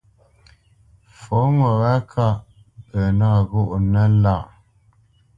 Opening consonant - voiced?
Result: no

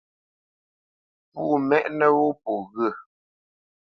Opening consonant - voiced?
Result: no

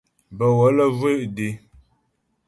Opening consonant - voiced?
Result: yes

